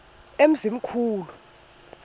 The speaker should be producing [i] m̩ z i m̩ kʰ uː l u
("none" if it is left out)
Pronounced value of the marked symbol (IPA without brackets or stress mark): e